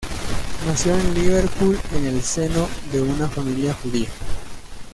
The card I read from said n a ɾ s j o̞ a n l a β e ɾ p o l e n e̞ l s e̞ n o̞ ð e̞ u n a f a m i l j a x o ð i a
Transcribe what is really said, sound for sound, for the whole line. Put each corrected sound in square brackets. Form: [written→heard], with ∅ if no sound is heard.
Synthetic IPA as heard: n a [ɾ→∅] s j o̞ [a→e] n l [a→i] β e ɾ p [o→u] l e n e̞ l s e̞ n o̞ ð e̞ u n a f a m i l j a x [o→u] ð i a